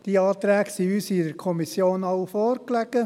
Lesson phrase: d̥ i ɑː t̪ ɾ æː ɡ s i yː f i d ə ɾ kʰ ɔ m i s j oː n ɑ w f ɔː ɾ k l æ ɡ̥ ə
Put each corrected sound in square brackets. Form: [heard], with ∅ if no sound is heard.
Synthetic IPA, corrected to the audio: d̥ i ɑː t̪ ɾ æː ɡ s i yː [s] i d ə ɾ kʰ ɔ m i s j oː n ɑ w f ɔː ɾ k l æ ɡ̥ ə